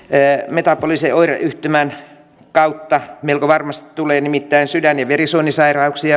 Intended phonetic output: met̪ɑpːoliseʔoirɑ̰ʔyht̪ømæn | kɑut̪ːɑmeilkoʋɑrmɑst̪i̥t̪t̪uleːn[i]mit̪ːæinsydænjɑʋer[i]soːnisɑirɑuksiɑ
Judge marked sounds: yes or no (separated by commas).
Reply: yes, yes